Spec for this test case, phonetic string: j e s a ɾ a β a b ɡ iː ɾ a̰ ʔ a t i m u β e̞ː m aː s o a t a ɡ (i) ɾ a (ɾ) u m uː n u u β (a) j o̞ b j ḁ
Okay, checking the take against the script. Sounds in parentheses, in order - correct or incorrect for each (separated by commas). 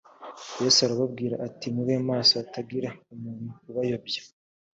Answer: correct, incorrect, correct